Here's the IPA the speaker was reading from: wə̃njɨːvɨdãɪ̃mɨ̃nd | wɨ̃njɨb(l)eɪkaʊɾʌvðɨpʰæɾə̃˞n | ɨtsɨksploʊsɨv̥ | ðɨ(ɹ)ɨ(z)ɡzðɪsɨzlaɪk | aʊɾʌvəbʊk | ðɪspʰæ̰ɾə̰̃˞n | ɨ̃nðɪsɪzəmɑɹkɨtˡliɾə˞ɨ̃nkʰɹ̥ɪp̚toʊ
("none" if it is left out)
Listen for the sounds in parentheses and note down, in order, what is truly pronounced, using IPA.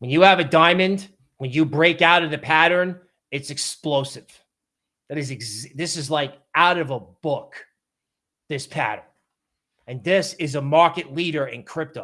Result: ɹ, ɾ, z

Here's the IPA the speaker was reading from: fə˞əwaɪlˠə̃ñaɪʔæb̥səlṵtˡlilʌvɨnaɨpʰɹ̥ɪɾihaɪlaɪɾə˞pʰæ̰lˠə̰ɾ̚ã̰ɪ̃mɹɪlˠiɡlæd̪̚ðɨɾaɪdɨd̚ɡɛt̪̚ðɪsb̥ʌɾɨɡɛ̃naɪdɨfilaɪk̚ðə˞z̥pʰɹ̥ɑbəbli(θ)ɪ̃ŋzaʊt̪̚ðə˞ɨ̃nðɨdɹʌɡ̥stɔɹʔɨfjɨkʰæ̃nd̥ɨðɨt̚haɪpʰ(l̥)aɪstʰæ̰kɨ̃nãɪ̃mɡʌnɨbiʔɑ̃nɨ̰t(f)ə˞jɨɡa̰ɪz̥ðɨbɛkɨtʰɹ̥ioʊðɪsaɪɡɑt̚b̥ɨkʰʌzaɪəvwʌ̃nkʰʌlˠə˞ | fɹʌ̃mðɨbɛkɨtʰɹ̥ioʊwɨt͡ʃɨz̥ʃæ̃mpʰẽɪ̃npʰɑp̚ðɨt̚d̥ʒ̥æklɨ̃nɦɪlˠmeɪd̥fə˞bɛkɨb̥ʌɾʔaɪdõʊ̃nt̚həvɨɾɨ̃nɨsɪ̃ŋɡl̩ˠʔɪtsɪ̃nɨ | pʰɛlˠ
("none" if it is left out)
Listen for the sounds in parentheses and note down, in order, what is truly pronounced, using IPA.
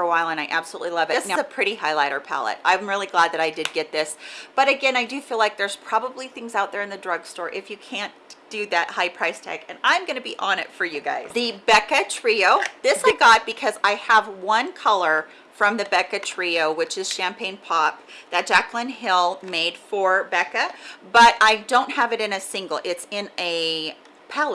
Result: θ, ɹ̥, f

